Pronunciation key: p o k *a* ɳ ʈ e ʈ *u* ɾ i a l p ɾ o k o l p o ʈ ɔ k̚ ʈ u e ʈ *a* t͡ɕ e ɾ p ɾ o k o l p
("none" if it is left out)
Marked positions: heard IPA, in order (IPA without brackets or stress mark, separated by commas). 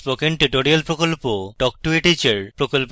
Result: e, o, i